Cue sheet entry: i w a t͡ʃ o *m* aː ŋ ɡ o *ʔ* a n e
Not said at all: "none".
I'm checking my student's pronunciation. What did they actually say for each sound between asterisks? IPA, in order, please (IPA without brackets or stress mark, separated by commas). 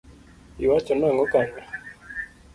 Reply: n, k